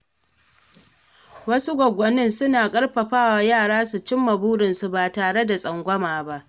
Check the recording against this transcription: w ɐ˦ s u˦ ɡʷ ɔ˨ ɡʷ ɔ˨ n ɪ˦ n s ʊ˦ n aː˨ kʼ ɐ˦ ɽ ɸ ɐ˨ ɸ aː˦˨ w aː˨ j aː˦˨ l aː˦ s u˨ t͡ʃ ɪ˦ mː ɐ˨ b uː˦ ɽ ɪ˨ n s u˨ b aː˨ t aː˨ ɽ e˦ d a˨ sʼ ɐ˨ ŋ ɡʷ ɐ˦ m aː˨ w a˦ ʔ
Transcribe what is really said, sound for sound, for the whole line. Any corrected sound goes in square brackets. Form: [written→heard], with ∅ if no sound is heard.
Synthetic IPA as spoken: w ɐ˦ s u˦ ɡʷ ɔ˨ ɡʷ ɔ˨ n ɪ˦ n s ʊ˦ n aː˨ kʼ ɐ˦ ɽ ɸ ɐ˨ ɸ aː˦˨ w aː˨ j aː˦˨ [l→ɽ] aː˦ s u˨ t͡ʃ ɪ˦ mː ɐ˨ b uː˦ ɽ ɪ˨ n s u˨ b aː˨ t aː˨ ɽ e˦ d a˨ sʼ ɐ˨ ŋ ɡʷ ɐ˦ m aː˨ [w→b] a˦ ʔ